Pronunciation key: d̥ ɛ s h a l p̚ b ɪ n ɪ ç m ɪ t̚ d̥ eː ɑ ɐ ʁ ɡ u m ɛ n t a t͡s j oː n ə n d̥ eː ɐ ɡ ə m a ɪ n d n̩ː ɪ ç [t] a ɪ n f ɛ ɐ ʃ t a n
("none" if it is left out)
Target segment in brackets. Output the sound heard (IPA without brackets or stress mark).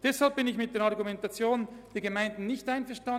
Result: t